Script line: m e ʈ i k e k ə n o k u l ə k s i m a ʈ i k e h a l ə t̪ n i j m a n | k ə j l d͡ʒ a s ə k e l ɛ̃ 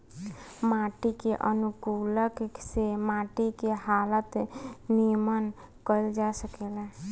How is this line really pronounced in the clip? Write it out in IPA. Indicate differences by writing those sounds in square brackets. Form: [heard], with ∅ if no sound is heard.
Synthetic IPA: m [a] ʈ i k e [ʔ] ə n [u] k u l ə k s [e] m a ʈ i k e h a l ə t̪ n i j m [ə] n | k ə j l d͡ʒ a s ə k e l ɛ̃